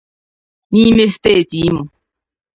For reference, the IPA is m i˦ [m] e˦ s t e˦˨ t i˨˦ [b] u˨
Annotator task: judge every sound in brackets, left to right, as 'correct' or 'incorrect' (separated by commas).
correct, incorrect